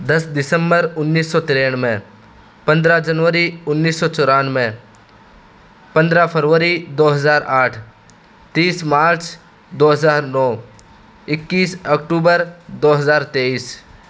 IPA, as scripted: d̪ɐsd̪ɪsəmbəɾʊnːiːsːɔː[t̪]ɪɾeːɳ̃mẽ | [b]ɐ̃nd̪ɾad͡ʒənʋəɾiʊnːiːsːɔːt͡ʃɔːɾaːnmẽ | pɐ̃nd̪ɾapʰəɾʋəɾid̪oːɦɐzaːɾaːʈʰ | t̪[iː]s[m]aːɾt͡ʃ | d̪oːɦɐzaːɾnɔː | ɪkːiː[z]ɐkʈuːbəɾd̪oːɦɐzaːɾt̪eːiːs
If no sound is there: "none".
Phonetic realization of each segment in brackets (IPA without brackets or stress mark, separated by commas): t̪, p, iː, m, s